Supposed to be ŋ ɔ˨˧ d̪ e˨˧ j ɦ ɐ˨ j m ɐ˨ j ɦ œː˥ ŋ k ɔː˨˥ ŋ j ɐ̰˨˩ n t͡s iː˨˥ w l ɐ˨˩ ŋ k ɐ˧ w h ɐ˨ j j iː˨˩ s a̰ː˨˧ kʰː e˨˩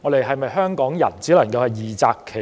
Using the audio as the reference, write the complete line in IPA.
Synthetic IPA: ŋ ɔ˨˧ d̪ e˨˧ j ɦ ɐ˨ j m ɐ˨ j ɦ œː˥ ŋ k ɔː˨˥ ŋ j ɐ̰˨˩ n t͡s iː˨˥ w l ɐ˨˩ ŋ k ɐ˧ w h ɐ˨ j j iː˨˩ t͡s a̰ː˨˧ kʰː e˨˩